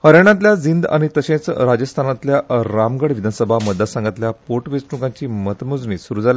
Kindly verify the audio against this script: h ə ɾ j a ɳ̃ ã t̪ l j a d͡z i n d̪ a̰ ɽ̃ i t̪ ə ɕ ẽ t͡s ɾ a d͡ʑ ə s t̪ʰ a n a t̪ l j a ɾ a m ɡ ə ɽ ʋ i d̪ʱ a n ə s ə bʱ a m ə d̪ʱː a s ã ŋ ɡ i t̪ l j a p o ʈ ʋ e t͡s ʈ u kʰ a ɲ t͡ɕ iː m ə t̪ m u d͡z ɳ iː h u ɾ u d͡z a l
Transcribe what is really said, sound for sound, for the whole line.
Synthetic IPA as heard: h ə ɾ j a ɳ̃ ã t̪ l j a d͡z i n d̪ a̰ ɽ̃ i t̪ ə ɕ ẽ t͡s ɾ a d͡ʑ ə s t̪ʰ a n a t̪ l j a ɾ a m ɡ ə ɽ ʋ i d̪ʱ a n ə s ə bʱ a m ə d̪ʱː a s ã ŋ ɡ a t̪ l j a p o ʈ ʋ e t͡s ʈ u k a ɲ t͡ɕ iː m ə t̪ m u d͡z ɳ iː s u ɾ u d͡z a l